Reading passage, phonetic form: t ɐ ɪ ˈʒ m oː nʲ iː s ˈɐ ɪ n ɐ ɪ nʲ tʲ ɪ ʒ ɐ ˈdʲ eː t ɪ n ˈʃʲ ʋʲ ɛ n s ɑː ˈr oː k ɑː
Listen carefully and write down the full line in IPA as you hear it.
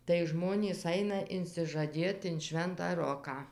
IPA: t ɐ ɪ ˈʒ m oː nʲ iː s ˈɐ ɪ n ɐ ɪ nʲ sʲ ɪ ʒ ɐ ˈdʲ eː t ɪ n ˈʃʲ ʋʲ ɛ n t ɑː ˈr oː k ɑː